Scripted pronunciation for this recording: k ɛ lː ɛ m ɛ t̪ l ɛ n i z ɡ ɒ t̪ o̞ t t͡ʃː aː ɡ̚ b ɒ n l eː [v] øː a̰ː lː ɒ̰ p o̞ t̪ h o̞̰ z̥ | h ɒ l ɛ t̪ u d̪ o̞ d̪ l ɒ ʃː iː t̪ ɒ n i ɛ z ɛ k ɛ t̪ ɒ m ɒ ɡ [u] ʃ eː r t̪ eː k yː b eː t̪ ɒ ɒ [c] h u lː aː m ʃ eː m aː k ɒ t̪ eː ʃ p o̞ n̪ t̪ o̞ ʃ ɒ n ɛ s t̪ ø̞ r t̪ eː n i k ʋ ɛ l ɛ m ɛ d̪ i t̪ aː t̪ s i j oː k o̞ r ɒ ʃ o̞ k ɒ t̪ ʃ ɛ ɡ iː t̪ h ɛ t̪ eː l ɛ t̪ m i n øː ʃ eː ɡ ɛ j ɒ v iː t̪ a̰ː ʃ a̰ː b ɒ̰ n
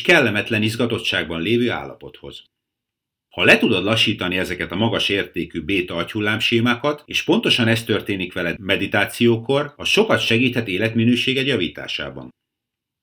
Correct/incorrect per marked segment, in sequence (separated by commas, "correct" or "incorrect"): correct, incorrect, correct